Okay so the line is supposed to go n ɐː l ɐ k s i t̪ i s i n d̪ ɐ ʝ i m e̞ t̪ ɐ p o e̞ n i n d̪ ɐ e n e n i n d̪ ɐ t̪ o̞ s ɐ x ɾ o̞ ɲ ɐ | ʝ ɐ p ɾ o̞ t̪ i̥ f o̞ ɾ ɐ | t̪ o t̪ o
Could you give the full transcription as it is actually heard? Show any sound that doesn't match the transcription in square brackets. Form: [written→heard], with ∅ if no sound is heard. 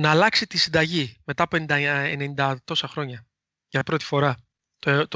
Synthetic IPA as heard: n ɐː l ɐ k s i t̪ i s i n d̪ ɐ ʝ i m e̞ t̪ ɐ p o e̞ n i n d̪ ɐ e n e n i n d̪ ɐ t̪ o̞ s ɐ x ɾ o̞ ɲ ɐ | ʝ ɐ p ɾ o̞ t̪ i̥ f o̞ ɾ ɐ | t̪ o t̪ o